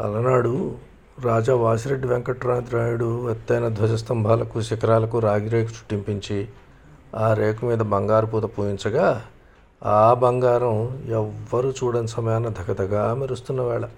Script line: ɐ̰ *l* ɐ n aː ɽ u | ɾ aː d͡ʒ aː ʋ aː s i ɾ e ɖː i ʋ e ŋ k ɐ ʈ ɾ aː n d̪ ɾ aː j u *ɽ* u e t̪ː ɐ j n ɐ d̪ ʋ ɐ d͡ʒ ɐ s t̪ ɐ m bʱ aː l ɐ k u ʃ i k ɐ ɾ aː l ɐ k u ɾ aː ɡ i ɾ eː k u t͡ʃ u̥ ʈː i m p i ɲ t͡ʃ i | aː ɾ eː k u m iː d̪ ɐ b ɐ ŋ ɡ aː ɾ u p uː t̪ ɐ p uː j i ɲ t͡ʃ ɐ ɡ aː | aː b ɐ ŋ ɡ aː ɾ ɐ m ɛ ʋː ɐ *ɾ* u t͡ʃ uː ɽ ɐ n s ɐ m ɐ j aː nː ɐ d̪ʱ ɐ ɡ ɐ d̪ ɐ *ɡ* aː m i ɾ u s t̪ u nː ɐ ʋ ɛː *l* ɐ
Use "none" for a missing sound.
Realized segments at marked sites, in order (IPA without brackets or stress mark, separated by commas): l, ɽ, ɾ, ɡ, ɭ